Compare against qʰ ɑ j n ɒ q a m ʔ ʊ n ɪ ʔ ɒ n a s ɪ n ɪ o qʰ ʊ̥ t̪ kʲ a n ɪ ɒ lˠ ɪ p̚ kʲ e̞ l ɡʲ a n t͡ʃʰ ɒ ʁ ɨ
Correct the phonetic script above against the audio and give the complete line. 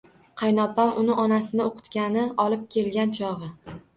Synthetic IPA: qʰ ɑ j n ɒ p a m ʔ ʊ n ɪ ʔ ɒ n a s ɪ n ɪ o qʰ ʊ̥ t̪ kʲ a n ɪ ɒ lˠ ɪ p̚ kʲ e̞ l ɡʲ a n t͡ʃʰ ɒ ʁ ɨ